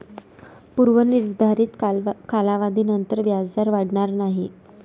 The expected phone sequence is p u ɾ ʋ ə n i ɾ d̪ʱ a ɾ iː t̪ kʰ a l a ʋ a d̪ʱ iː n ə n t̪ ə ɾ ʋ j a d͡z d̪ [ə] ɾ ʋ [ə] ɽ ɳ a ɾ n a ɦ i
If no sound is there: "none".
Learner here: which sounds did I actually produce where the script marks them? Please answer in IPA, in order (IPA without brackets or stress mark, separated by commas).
a, a